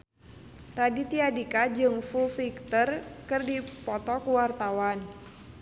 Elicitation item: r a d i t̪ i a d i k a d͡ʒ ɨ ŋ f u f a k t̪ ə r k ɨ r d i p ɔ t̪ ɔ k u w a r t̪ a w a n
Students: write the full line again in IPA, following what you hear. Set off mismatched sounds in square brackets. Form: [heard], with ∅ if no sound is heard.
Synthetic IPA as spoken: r a d i t̪ i a d i k a d͡ʒ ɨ ŋ f u f [i] k t̪ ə r k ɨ r d i p ɔ t̪ ɔ k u w a r t̪ a w a n